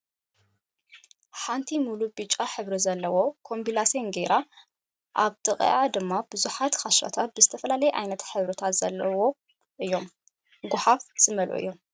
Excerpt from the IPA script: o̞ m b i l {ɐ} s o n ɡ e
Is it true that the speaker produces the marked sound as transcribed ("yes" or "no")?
no